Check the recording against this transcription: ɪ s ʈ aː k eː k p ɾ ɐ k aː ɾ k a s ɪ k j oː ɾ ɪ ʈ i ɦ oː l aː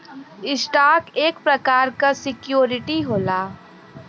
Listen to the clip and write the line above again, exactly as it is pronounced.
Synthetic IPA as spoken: ɪ s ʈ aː k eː k p ɾ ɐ k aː ɾ k a s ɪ k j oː ɾ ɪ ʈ i ɦ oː l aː